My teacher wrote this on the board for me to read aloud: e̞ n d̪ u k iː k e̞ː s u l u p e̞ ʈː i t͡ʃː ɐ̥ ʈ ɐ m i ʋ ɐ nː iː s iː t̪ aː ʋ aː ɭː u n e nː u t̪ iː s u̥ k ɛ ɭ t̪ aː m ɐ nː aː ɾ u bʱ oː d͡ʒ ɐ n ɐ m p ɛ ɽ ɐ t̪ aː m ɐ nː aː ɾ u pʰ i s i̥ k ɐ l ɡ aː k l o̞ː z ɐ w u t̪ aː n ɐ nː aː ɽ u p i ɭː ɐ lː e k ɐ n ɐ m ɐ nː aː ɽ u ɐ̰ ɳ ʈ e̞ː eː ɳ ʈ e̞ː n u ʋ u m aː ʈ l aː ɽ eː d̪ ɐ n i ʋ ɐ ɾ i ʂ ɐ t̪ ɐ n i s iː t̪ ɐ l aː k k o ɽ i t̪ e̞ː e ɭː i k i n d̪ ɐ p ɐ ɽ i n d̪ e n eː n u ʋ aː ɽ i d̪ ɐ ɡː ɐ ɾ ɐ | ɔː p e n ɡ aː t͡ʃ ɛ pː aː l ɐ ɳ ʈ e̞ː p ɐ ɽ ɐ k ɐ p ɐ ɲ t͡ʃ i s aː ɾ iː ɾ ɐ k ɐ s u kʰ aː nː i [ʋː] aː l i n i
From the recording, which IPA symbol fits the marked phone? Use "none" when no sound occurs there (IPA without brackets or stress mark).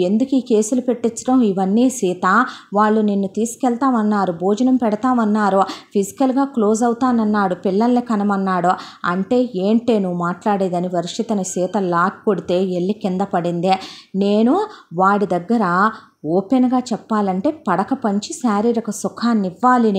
ʋː